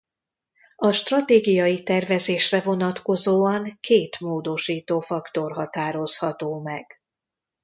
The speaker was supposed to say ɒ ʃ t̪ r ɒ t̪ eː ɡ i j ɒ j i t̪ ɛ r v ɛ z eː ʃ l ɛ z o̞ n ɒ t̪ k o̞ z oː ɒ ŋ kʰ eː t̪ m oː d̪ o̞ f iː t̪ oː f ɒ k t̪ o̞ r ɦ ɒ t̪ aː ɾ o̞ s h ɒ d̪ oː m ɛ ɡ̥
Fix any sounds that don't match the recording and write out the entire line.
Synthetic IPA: ɒ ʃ t̪ r ɒ t̪ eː ɡ i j ɒ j i t̪ ɛ r v ɛ z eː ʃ r ɛ v o̞ n ɒ t̪ k o̞ z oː ɒ ŋ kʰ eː t̪ m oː d̪ o̞ ʃ iː t̪ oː f ɒ k t̪ o̞ r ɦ ɒ t̪ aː ɾ o̞ s h ɒ t̪ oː m ɛ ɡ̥